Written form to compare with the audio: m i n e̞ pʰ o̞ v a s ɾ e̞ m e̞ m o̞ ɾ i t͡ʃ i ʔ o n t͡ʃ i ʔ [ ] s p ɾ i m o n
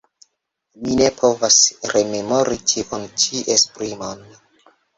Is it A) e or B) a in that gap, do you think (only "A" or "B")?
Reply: A